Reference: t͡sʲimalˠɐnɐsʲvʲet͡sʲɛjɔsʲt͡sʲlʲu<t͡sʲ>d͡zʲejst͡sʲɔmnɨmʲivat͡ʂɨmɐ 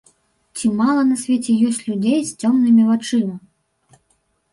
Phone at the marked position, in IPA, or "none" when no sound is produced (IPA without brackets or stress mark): none